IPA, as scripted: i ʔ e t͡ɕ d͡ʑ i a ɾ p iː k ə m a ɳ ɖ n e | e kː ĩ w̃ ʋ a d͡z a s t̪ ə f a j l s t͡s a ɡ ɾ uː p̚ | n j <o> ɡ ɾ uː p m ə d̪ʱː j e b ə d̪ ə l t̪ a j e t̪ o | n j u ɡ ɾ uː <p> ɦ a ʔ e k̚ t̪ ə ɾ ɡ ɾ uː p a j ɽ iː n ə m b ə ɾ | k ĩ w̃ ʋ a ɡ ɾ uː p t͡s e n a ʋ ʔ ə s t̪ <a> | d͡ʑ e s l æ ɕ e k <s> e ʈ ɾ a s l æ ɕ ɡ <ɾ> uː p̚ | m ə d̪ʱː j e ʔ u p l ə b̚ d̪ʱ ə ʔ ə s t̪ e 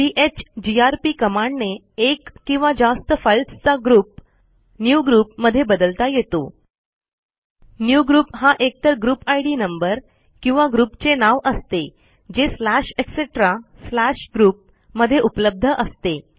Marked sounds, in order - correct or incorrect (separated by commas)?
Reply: incorrect, correct, incorrect, correct, correct